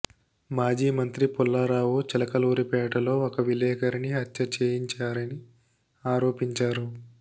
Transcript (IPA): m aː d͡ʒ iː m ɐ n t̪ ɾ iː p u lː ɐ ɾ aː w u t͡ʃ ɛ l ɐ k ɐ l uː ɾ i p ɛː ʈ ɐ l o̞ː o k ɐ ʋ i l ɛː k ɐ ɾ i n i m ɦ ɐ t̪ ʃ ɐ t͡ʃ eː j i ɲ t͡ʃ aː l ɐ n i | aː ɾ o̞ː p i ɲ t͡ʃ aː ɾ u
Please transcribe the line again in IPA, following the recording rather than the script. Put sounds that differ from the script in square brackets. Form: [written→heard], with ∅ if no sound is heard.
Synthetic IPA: m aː d͡ʒ iː m ɐ n t̪ ɾ [iː→i] p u lː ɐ ɾ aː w u t͡ʃ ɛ l ɐ k ɐ l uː ɾ i p ɛː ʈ ɐ l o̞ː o k ɐ ʋ i l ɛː k ɐ ɾ i n i [m→∅] ɦ ɐ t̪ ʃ ɐ t͡ʃ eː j i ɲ t͡ʃ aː [l→ɾ] ɐ n i | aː ɾ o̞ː p i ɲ t͡ʃ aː ɾ u

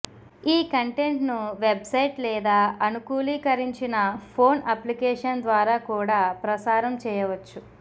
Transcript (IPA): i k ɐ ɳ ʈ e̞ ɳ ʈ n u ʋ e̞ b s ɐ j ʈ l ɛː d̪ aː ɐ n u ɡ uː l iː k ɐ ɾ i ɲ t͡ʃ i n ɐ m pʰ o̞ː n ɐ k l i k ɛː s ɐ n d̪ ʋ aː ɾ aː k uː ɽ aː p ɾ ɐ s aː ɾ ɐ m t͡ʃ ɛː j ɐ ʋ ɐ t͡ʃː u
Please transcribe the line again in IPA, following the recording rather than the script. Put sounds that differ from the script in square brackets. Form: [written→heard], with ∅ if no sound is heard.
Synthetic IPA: [i→iː] k ɐ ɳ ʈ e̞ ɳ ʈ n u ʋ e̞ b s ɐ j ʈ l ɛː d̪ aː ɐ n u [ɡ→k] uː l iː k ɐ ɾ i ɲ t͡ʃ i n ɐ [m→∅] pʰ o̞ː n ɐ [k→p] l i k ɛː [s→ʂ] ɐ n d̪ ʋ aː ɾ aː k uː ɽ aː p ɾ ɐ s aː ɾ ɐ m t͡ʃ ɛː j ɐ ʋ ɐ t͡ʃː u

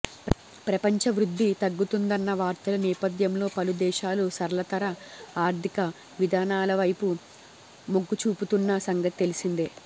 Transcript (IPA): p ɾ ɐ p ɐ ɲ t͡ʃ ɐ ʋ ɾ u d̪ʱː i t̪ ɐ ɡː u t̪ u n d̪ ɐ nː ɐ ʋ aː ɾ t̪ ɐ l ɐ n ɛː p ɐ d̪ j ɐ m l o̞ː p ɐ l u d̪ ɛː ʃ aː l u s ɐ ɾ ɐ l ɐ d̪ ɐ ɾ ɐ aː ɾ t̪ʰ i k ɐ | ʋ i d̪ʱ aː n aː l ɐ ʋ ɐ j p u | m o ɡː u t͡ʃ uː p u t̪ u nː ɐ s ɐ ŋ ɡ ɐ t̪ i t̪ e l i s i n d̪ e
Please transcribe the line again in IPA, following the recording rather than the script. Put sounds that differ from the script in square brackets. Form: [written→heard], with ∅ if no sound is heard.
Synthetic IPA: p ɾ ɐ p ɐ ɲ t͡ʃ ɐ ʋ ɾ u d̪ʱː i t̪ ɐ ɡː u t̪ u n d̪ ɐ nː ɐ ʋ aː ɾ t̪ ɐ l ɐ n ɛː p ɐ d̪ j ɐ m l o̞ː p ɐ l u d̪ ɛː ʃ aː l u s ɐ ɾ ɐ l ɐ [d̪→t̪] ɐ ɾ ɐ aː ɾ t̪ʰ i k ɐ | ʋ i d̪ʱ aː n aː l ɐ ʋ ɐ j p u | m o ɡː u t͡ʃ uː p u t̪ u nː ɐ s ɐ ŋ ɡ ɐ t̪ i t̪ e l i s i n d̪ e

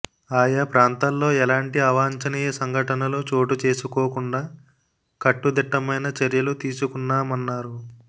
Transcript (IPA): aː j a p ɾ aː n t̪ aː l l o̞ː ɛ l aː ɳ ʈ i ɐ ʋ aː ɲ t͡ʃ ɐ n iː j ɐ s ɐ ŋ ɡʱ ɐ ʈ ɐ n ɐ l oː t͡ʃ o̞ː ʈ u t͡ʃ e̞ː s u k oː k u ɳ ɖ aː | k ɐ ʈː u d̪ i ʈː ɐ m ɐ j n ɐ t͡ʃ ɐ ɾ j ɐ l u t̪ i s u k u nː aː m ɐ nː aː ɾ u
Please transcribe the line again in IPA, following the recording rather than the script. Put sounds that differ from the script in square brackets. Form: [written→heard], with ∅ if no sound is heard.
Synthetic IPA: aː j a p ɾ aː n t̪ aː l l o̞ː ɛ l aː ɳ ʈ i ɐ ʋ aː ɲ t͡ʃ ɐ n iː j ɐ s ɐ ŋ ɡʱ ɐ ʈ ɐ n ɐ l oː t͡ʃ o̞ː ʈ u t͡ʃ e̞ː s u k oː k u ɳ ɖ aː | k ɐ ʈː u d̪ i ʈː ɐ m ɐ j n ɐ t͡ʃ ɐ ɾ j ɐ l u t̪ [i→iː] s u k u nː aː m ɐ nː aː ɾ u

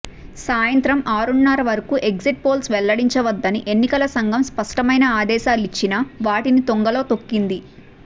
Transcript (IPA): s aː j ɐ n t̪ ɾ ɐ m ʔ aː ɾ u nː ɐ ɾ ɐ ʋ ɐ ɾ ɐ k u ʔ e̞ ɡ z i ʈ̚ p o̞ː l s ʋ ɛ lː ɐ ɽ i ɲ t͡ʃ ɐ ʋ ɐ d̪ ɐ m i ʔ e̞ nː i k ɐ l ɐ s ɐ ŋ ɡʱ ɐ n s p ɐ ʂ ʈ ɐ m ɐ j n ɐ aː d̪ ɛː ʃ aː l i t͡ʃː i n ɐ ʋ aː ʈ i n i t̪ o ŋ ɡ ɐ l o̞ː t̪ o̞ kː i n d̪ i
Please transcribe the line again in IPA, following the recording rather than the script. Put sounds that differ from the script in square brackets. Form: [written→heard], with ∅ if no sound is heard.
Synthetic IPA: s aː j ɐ n t̪ ɾ ɐ m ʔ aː ɾ u nː ɐ ɾ ɐ ʋ ɐ ɾ ɐ k u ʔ e̞ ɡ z i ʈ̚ p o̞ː l s ʋ ɛ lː ɐ ɽ i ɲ t͡ʃ ɐ ʋ ɐ [d̪→d̪ː] ɐ [m→n] i ʔ e̞ nː i k ɐ l ɐ s ɐ ŋ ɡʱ ɐ [n→m] s p ɐ ʂ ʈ ɐ m ɐ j n ɐ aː d̪ ɛː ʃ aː l i t͡ʃː i n ɐ ʋ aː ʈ i n i t̪ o ŋ ɡ ɐ l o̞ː t̪ o̞ kː i n d̪ i

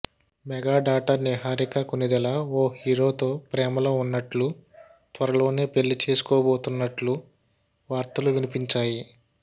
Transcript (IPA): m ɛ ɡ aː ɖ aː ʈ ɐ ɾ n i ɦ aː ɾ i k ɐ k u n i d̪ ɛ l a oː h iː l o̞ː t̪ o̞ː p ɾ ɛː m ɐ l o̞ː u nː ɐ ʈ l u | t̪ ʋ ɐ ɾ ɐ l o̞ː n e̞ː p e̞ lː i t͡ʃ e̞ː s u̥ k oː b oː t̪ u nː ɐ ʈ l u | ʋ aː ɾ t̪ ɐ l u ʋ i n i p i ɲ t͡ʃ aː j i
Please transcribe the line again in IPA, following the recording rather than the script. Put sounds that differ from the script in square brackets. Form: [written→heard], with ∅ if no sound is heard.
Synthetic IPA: m ɛ ɡ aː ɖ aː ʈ ɐ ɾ n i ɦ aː ɾ i k ɐ k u n i d̪ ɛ l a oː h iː [l→ɾ] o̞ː t̪ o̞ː p ɾ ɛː m ɐ l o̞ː u nː ɐ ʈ l u | t̪ ʋ ɐ ɾ ɐ l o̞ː n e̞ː p e̞ lː i t͡ʃ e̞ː s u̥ k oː b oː t̪ u nː ɐ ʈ l u | ʋ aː ɾ t̪ ɐ l u ʋ i n i p i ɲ t͡ʃ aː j i

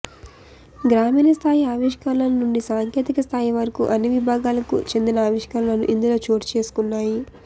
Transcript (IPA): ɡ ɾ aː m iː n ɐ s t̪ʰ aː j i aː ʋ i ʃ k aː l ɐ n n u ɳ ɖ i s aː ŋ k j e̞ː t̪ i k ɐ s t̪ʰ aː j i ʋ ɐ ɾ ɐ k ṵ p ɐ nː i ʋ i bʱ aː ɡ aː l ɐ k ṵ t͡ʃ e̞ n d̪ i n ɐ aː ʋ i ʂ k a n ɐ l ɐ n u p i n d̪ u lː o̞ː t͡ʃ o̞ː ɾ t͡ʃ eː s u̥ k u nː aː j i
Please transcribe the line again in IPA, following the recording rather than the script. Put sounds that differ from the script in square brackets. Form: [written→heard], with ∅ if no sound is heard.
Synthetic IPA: ɡ ɾ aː m iː n ɐ s t̪ʰ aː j i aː ʋ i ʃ k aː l ɐ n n u ɳ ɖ i s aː ŋ k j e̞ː t̪ i k ɐ s t̪ʰ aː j i ʋ ɐ ɾ ɐ k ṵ [p→ʔ] ɐ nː i ʋ i bʱ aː ɡ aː l ɐ k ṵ t͡ʃ e̞ n d̪ i n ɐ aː ʋ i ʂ k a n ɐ l ɐ n u [p→ʔ] i n d̪ u [lː→l] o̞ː t͡ʃ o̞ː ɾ t͡ʃ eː s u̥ k u nː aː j i

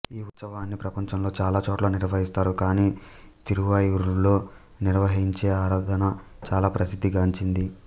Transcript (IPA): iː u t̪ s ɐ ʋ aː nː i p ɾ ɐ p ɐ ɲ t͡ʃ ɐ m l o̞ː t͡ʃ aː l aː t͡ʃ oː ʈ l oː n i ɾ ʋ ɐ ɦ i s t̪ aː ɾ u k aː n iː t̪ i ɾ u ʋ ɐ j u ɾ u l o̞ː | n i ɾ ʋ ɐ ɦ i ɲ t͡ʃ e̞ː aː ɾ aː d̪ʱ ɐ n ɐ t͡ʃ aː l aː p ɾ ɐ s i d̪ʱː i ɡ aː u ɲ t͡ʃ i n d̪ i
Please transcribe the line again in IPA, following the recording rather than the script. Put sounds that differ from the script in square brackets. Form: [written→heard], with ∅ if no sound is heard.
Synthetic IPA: iː u t̪ s ɐ ʋ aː nː i p ɾ ɐ p ɐ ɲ t͡ʃ ɐ m l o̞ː t͡ʃ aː l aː t͡ʃ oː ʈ l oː n i ɾ ʋ ɐ ɦ i s t̪ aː ɾ u k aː n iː t̪ i ɾ u ʋ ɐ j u ɾ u l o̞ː | n i ɾ ʋ ɐ ɦ i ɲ t͡ʃ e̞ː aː ɾ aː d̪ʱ ɐ n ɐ t͡ʃ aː l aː p ɾ ɐ s i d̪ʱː i ɡ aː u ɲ t͡ʃ i n d̪ i

